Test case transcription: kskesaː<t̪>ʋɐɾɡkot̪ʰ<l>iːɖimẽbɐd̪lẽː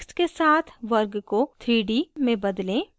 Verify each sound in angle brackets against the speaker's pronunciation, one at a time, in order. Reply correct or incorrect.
incorrect: t̪ʰ, incorrect: ɾ

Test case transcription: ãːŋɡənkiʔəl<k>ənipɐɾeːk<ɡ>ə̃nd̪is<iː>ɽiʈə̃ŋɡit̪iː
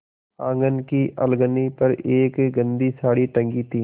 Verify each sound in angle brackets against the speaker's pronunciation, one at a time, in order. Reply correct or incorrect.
incorrect: ɡ, correct, incorrect: aː

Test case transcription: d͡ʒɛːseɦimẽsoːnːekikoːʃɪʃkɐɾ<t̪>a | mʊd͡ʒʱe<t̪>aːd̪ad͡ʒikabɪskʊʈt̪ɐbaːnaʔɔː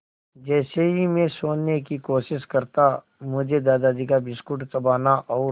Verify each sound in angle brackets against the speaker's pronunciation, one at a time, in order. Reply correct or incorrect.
correct, incorrect: d̪

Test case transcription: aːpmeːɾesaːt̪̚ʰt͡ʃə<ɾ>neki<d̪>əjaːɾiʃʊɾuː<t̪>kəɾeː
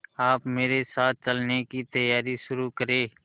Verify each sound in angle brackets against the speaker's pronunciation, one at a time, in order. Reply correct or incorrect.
incorrect: l, incorrect: t̪, incorrect: none

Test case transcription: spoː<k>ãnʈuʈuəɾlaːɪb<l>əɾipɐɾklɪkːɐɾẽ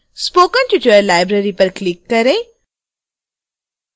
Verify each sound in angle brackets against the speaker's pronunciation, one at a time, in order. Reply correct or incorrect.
correct, incorrect: ɾ

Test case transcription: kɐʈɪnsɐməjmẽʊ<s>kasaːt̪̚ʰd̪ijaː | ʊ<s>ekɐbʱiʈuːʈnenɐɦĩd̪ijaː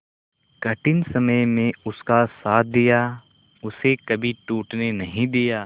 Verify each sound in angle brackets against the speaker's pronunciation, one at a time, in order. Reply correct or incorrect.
correct, correct

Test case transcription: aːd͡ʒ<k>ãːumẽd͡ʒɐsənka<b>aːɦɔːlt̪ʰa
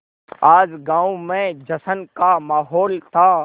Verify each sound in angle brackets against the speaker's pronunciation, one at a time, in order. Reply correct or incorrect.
incorrect: ɡ, incorrect: m

